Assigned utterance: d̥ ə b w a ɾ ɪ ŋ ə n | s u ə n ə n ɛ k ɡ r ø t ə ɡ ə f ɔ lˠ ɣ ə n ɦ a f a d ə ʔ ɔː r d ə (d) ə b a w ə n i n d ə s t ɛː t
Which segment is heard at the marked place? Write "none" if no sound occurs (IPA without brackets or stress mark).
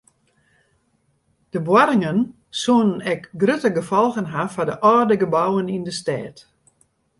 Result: ɡ